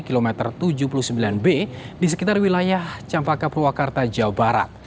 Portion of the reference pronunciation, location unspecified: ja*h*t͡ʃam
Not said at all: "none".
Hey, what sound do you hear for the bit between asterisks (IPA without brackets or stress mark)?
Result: h